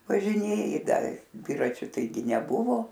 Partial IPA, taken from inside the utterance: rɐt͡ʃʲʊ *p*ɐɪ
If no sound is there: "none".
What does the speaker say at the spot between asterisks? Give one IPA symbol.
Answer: t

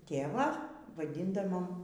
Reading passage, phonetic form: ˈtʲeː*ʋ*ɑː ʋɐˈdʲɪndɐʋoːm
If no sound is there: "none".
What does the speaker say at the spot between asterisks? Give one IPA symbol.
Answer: ʋ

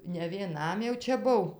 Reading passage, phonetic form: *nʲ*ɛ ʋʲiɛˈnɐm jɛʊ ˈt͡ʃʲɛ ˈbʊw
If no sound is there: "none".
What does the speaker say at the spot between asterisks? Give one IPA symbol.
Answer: nʲ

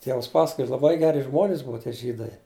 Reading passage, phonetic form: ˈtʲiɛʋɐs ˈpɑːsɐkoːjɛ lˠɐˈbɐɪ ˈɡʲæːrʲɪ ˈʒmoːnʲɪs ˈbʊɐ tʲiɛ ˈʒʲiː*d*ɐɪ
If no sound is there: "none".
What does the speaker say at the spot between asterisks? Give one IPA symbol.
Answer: d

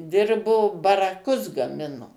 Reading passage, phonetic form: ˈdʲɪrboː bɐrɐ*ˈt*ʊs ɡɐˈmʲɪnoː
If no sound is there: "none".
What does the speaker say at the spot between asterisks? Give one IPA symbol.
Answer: k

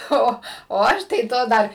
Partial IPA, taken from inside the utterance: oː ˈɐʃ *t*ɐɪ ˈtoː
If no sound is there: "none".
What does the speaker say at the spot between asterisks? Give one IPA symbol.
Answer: t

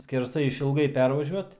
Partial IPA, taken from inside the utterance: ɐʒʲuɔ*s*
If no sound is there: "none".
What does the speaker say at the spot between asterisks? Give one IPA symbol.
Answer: t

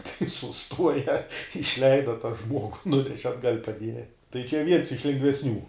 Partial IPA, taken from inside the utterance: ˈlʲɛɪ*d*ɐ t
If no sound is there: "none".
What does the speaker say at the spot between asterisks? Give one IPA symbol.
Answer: d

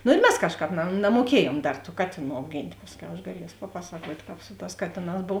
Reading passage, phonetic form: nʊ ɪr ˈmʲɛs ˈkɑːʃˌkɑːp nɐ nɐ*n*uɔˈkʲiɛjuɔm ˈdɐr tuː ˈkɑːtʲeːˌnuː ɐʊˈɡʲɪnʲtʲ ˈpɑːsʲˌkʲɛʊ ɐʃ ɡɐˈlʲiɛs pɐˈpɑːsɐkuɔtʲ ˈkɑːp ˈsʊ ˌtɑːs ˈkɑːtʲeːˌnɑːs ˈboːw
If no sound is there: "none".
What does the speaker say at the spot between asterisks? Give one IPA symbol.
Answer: m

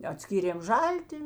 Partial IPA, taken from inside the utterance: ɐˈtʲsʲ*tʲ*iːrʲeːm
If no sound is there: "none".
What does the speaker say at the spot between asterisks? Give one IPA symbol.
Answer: kʲ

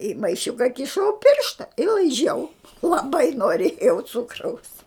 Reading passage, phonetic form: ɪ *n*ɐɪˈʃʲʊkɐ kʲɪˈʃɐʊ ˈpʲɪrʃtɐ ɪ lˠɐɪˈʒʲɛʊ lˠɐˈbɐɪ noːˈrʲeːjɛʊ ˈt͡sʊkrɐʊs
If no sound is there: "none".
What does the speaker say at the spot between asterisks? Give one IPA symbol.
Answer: m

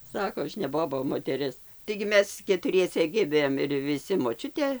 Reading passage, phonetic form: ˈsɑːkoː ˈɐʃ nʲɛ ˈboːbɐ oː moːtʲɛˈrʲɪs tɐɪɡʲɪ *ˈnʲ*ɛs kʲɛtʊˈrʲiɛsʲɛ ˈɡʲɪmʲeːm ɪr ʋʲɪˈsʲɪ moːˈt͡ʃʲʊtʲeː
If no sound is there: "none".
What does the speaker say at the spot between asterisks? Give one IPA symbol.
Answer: mʲ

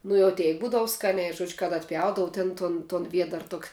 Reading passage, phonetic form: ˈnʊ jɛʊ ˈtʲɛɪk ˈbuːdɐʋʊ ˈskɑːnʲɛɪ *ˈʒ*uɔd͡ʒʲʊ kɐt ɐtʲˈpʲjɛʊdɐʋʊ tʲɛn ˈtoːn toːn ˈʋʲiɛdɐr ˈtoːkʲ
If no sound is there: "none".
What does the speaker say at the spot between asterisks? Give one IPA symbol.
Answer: ʒ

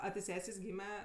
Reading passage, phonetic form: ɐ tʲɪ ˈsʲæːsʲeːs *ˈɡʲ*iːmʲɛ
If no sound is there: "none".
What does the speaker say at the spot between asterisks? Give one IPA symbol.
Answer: ɡʲ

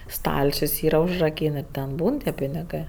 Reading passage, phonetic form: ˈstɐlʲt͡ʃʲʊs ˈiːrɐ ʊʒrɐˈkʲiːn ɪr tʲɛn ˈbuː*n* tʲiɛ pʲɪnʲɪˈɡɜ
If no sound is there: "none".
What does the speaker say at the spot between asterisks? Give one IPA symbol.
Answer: n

